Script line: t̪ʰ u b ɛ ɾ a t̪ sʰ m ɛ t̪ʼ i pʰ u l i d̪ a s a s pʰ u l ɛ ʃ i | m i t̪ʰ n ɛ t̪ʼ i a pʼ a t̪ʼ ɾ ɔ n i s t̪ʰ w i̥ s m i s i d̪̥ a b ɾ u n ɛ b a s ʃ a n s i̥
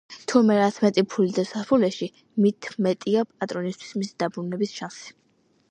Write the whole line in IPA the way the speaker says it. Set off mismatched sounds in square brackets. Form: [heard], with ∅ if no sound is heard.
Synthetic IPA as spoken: t̪ʰ u [m] ɛ ɾ a t̪ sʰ m ɛ t̪ʼ i pʰ u l i d̪ a s a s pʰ u l ɛ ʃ i | m i t̪ʰ [m] ɛ t̪ʼ i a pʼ a t̪ʼ ɾ ɔ n i s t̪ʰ w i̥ s m i s i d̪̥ a b ɾ u n ɛ b [i] s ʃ a n s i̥